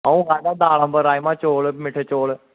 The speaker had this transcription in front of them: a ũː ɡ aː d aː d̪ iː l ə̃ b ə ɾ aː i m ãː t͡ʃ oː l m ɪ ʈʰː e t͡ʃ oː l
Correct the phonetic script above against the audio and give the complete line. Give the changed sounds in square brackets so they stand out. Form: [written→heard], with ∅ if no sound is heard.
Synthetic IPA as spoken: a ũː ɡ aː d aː d̪ [iː→aː] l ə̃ b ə ɾ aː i m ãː t͡ʃ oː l m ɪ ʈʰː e t͡ʃ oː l